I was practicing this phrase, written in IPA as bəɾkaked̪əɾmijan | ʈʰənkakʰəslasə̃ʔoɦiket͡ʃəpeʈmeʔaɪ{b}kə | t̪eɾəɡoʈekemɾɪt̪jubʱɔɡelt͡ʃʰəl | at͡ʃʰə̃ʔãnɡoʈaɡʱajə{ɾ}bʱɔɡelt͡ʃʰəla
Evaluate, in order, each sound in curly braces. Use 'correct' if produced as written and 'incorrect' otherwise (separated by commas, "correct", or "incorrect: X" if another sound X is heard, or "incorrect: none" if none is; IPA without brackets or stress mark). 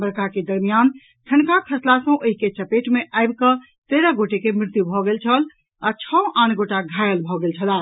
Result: correct, incorrect: l